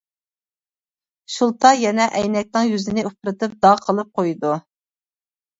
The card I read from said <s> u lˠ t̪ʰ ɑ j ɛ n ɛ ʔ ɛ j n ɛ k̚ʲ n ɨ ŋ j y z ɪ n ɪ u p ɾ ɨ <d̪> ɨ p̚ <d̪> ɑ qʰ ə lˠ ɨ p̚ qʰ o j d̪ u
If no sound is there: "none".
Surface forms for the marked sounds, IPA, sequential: ʃ, t̪, d̪

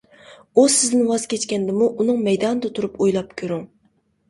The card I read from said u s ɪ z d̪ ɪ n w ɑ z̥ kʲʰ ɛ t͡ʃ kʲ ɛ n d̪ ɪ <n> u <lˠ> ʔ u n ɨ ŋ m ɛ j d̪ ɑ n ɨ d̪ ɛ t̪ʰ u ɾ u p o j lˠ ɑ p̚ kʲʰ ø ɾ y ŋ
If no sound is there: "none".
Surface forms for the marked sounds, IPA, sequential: m, none

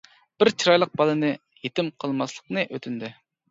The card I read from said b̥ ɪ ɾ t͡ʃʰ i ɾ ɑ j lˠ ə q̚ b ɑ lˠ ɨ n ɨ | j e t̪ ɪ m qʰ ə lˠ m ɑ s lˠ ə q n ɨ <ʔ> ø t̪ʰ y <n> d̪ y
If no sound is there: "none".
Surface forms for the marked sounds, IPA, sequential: ʔ, n

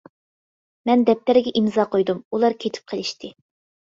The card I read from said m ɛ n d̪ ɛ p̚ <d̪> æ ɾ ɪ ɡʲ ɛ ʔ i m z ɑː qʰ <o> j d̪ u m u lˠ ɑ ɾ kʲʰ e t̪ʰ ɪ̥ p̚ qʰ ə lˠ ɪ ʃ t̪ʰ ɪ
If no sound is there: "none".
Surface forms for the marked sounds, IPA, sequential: t̪, o

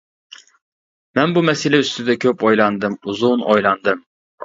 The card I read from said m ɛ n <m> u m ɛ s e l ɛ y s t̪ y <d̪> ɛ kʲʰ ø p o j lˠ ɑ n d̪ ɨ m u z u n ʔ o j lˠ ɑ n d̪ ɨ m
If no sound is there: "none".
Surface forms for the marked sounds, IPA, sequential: b, d̪

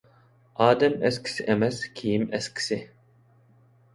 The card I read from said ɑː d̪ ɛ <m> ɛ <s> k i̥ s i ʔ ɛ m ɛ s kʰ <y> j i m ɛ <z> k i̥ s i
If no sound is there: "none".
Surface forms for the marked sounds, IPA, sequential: m, s, i, s

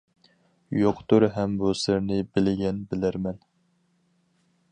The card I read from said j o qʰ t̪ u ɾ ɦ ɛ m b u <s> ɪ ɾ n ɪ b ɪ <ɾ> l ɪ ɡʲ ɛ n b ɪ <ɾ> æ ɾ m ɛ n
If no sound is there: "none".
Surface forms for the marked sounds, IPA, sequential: s, none, l

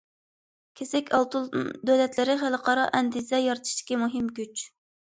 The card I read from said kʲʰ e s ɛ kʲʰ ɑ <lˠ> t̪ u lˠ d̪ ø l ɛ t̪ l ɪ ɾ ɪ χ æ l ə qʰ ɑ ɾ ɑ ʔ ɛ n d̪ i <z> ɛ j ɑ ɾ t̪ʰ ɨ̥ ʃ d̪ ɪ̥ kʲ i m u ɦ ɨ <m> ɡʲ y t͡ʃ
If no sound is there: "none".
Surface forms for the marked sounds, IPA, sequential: lˠ, z, m

